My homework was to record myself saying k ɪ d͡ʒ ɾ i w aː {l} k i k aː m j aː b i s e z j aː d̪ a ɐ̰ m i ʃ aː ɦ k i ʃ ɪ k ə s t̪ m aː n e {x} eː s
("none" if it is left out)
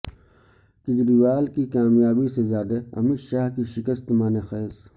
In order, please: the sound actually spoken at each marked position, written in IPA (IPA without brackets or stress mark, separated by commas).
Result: l, x